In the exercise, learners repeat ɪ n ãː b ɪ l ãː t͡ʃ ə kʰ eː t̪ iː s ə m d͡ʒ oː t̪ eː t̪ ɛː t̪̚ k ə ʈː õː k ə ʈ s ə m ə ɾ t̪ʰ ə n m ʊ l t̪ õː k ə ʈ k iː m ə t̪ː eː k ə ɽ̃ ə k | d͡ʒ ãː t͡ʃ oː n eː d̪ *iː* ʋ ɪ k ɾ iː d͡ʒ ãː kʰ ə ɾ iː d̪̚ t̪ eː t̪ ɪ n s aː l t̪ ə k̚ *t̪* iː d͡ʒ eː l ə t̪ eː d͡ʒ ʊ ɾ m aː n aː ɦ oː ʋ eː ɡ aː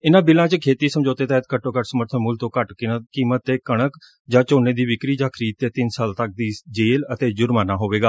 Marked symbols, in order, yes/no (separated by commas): yes, no